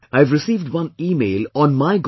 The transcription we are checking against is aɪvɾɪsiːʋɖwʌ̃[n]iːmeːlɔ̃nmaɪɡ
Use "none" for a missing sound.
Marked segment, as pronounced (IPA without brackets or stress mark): n